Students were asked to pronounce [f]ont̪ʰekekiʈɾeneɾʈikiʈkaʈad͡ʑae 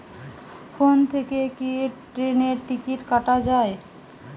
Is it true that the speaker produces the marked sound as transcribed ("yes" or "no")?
yes